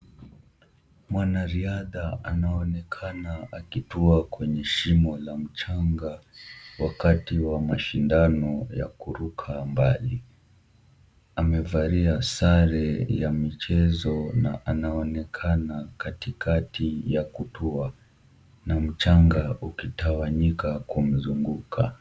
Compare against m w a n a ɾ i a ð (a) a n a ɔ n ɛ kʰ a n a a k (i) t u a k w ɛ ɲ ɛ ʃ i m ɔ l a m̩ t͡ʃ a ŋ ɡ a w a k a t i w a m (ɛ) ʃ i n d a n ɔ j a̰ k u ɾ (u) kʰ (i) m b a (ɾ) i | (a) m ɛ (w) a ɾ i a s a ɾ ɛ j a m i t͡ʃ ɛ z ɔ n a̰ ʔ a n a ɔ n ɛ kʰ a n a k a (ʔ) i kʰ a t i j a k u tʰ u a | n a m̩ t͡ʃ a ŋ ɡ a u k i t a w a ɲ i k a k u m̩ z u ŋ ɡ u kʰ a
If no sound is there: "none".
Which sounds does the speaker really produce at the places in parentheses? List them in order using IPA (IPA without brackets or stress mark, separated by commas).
a, i, a, u, a, l, a, v, t